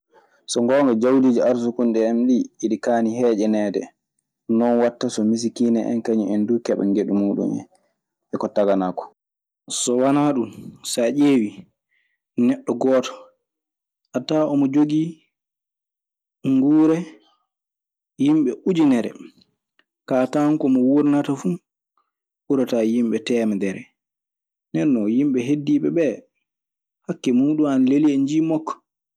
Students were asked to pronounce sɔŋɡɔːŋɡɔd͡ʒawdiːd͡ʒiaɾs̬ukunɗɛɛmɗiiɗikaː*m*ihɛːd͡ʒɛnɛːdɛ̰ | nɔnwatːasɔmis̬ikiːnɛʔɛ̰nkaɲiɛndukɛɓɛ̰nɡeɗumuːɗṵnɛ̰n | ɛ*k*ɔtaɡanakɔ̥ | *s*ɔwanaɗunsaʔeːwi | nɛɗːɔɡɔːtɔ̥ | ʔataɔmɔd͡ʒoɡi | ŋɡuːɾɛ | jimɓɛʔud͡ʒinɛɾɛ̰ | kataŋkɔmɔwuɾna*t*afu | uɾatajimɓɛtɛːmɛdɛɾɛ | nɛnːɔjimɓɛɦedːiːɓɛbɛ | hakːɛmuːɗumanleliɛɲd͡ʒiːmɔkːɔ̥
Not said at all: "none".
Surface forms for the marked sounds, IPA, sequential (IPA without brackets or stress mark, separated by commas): n, k, s, t